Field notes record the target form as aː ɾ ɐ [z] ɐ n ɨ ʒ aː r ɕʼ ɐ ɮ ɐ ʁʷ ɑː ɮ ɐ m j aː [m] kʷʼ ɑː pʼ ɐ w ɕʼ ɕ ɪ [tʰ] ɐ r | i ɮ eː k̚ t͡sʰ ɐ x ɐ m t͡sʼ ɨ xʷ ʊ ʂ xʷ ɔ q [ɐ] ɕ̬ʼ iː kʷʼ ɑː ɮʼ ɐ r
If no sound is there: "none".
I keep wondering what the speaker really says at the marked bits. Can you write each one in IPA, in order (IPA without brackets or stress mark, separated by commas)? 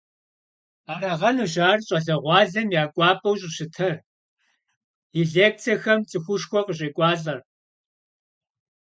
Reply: ʁ, none, tʰ, ə